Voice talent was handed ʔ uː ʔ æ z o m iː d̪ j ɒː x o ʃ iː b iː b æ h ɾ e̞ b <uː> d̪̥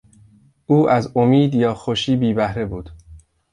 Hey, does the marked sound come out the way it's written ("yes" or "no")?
yes